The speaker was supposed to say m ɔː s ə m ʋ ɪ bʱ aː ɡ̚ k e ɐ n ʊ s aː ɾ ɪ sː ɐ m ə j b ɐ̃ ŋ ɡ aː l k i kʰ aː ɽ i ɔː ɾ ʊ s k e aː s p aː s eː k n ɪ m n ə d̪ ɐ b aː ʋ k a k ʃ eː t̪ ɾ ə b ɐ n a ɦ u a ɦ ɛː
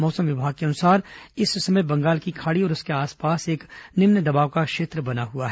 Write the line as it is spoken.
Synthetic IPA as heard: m ɔː s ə m ʋ ɪ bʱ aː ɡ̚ k e ɐ n ʊ s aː ɾ ɪ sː ɐ m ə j b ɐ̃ ŋ ɡ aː l k i kʰ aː ɽ i ɔː ɾ ʊ s k e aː s p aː s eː k n ɪ m n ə d̪ ɐ b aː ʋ k a k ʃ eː t̪ ɾ ə b ɐ n a ɦ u a ɦ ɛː